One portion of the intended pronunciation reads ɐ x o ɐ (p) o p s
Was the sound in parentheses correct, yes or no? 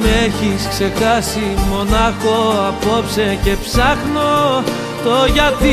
yes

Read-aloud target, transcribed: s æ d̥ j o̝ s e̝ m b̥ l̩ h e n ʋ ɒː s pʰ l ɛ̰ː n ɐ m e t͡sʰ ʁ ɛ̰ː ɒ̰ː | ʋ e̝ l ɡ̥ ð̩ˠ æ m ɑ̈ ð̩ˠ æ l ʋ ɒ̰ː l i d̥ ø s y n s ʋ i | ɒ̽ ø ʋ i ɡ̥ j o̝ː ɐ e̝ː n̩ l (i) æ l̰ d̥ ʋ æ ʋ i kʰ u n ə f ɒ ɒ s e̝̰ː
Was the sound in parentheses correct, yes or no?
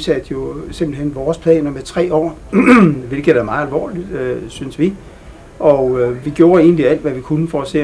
yes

